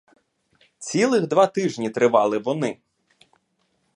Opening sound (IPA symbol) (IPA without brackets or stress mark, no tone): t͡sʲ